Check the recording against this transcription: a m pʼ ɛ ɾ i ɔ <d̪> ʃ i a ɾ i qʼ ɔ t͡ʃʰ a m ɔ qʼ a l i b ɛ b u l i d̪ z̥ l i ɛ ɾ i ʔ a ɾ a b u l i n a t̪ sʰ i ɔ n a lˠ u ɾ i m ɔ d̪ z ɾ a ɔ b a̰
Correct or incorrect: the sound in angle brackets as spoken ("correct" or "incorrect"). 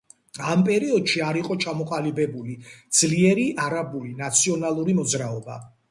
correct